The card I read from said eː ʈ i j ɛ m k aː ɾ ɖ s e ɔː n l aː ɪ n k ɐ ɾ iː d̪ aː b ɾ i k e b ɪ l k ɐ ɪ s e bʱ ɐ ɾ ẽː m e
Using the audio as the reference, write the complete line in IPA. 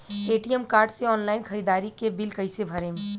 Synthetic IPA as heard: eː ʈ i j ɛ m k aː ɾ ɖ s e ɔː n l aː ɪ n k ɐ ɾ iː d̪ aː ɾ i k e b ɪ l k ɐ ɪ s e bʱ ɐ ɾ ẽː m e